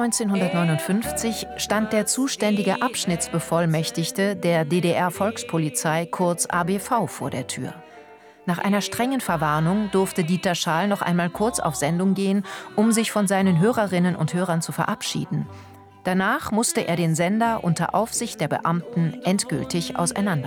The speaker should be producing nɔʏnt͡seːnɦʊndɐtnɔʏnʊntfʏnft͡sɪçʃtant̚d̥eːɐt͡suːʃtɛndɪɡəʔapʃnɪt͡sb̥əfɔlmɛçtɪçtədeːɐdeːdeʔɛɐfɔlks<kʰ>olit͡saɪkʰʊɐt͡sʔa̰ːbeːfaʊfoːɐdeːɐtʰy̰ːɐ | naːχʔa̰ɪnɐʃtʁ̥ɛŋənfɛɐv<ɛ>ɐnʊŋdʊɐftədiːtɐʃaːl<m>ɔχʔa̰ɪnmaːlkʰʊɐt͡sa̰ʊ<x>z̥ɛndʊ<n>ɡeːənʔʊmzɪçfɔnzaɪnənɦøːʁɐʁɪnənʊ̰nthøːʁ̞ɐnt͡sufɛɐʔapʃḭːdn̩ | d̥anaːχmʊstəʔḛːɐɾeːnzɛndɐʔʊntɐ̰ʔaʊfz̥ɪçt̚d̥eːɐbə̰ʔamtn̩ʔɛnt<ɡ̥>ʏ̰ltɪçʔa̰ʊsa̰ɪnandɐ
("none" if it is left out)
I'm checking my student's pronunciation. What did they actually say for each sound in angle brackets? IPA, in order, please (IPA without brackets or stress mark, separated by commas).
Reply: pʰ, a, n, f, ŋ, ɡ̥